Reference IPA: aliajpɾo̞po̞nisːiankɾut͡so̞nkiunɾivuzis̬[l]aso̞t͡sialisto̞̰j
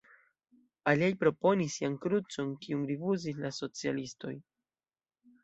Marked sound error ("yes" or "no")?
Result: no